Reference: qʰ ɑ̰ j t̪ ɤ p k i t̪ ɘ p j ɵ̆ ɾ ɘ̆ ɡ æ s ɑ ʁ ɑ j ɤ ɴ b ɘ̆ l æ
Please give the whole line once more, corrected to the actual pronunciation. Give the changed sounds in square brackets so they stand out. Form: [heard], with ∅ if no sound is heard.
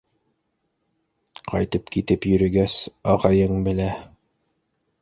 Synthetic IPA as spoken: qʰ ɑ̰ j t̪ ɤ p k i t̪ ɘ p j ɵ̆ ɾ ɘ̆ ɡ æ s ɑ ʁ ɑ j ɤ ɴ b ɘ̆ l æ